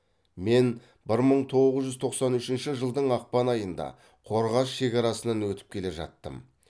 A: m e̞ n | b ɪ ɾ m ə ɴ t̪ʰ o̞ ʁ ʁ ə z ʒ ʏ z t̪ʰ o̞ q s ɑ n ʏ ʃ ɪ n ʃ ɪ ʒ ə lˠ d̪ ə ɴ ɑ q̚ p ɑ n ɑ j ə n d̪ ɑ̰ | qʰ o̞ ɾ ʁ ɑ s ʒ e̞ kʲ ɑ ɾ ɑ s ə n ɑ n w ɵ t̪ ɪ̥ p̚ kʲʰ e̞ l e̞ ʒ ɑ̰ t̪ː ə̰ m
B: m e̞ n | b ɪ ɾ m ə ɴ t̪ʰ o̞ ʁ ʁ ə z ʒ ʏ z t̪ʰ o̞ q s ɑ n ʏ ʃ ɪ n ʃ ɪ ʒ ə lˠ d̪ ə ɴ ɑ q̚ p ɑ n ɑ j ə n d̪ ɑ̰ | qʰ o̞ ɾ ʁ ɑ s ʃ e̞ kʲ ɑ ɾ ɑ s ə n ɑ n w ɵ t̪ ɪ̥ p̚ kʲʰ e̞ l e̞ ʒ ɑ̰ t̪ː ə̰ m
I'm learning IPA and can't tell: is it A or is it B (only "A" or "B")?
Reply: B